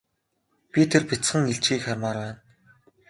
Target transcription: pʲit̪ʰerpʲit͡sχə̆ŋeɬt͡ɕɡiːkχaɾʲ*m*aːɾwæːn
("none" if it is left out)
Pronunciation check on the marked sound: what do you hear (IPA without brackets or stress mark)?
m